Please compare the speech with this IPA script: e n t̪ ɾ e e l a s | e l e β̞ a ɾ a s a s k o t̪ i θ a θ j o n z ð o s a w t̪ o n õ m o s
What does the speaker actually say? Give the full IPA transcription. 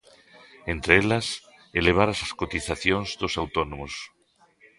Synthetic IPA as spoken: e n t̪ ɾ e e l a s | e l e β̞ a ɾ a s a s k o t̪ i θ a θ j o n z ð o s a w t̪ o n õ m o s